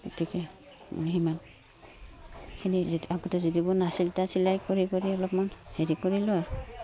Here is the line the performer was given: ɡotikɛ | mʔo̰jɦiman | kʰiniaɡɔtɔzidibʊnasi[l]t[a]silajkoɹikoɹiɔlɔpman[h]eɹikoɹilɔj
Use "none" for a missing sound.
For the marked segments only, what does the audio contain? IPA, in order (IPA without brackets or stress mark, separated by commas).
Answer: l, a, h